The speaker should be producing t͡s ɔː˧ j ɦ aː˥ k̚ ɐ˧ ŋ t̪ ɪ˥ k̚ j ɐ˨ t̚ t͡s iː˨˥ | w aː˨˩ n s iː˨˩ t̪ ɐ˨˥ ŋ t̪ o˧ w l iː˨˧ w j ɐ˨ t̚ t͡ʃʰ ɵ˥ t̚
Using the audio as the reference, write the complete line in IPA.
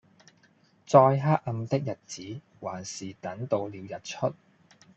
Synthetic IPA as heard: t͡s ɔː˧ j ɦ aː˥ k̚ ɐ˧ m t̪ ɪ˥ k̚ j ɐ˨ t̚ t͡s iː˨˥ | w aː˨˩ n s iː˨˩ t̪ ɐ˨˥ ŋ t̪ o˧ w l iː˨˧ w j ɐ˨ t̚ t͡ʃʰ ɵ˥ t̚